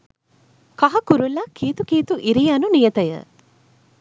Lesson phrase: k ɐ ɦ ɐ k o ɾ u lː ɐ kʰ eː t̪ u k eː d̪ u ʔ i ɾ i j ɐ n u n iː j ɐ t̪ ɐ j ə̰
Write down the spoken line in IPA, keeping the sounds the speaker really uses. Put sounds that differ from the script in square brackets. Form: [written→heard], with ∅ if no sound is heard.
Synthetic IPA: k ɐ ɦ ɐ k [o→u] ɾ u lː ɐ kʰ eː t̪ u k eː [d̪→t̪] u ʔ i ɾ i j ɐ n u n [iː→i] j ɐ t̪ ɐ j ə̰

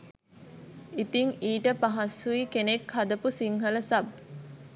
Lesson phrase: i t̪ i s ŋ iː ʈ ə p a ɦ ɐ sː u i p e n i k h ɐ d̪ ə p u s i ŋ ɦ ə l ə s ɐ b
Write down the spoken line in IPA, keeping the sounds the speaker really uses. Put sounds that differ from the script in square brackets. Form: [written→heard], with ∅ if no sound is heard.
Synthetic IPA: i t̪ i [s→∅] ŋ iː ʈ ə p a ɦ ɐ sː u i [p→k] e n [i→e] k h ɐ d̪ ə p u s i ŋ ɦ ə l ə s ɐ b

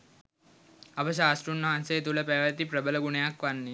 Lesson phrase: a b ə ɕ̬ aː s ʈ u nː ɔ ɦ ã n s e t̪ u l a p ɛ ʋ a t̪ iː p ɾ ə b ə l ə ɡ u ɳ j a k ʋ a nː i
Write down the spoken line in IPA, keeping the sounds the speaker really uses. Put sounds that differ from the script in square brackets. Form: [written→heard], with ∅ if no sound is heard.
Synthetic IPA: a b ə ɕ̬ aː s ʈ u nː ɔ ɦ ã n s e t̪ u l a p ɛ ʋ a t̪ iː p ɾ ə b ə l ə ɡ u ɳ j a k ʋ a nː i

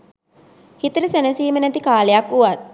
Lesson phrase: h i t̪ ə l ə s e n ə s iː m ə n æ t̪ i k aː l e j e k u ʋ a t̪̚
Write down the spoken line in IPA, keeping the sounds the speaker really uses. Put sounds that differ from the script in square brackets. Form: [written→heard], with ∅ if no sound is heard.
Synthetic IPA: h i t̪ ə [l→ɾ] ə s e n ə s iː m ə n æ t̪ i k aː l e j [e→a] k u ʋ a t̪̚

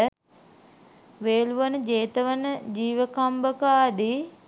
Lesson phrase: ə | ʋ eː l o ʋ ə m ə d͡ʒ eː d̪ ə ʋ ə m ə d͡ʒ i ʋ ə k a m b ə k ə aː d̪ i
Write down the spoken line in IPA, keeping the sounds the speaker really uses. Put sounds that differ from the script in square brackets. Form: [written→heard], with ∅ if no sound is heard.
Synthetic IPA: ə | ʋ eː l [o→u] ʋ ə [m→n] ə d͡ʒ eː [d̪→t̪] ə ʋ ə [m→n] ə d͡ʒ [i→iː] ʋ ə k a m b ə k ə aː d̪ i

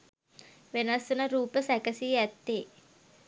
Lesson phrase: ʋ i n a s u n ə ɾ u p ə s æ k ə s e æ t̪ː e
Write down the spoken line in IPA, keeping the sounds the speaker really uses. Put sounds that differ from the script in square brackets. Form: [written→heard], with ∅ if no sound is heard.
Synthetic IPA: ʋ [i→e] n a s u n ə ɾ [u→uː] p ə s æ k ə s [e→i] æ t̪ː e

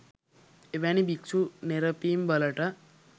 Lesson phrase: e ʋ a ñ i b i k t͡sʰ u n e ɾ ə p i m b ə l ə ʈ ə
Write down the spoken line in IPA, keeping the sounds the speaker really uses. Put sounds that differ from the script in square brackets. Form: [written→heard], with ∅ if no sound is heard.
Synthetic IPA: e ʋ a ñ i b i k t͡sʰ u n e ɾ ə p i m b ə l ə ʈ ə

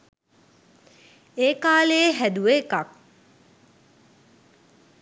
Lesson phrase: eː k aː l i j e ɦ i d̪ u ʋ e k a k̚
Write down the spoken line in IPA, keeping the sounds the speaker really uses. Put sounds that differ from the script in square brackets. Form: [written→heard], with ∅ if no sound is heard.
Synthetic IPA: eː k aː l [i→e] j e ɦ [i→æ] d̪ u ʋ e k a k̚

